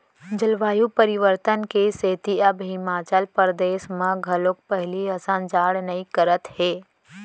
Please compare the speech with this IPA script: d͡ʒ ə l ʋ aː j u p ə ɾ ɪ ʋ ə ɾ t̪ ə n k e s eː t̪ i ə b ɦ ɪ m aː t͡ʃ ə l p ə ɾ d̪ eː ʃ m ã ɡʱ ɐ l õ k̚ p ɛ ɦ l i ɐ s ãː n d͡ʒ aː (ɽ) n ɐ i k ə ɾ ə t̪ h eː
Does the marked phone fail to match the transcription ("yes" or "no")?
no